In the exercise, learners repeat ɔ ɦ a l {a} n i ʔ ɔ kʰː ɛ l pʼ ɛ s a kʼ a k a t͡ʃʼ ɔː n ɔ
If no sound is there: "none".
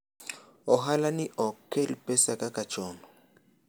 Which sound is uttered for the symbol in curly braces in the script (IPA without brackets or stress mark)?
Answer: a